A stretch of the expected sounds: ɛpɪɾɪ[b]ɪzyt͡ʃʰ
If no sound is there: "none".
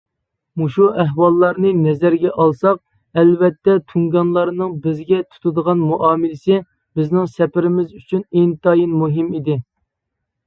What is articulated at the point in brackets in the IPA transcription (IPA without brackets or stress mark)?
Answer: m